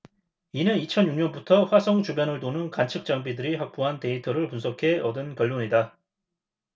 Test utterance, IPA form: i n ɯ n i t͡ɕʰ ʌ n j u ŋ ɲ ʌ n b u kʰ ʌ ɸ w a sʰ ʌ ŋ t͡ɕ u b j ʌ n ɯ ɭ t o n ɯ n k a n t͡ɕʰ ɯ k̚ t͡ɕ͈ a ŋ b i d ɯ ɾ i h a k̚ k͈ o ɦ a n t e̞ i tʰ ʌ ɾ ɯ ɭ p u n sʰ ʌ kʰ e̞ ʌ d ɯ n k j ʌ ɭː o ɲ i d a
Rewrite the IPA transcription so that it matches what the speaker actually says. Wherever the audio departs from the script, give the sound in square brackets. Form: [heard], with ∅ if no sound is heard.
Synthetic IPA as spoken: i n ɯ n i t͡ɕʰ ʌ n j u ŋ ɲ ʌ n b u [tʰ] ʌ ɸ w a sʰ ʌ ŋ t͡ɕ u b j ʌ n ɯ ɭ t o n ɯ n k a n t͡ɕʰ ɯ k̚ t͡ɕ͈ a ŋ b i d ɯ ɾ i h a k̚ [p͈] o ɦ a n t e̞ i tʰ ʌ ɾ ɯ ɭ p u n sʰ ʌ kʰ e̞ ʌ d ɯ n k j ʌ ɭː o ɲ i d a